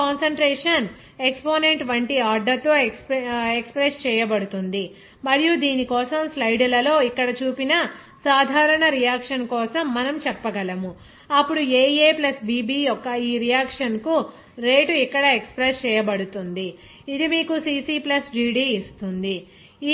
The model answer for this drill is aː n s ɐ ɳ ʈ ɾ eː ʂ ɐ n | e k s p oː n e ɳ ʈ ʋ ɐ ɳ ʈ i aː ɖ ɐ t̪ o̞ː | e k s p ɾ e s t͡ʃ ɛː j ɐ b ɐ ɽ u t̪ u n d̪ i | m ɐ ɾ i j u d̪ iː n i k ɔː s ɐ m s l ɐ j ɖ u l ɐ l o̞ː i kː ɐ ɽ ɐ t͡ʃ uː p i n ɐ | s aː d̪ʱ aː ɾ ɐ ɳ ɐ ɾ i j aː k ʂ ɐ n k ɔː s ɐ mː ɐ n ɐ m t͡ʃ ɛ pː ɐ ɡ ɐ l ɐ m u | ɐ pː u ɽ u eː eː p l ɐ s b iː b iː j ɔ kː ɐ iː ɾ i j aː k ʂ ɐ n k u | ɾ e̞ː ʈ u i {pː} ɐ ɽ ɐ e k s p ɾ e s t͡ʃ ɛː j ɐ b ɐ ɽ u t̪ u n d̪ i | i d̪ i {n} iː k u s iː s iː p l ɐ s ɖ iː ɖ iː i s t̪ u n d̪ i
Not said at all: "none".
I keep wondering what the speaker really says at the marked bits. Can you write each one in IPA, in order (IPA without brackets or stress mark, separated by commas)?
kː, m